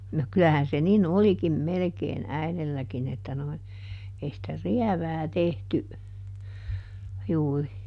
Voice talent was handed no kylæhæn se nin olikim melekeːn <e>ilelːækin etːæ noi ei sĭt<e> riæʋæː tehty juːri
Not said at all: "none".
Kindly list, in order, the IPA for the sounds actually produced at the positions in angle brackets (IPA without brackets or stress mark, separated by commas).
æ, æ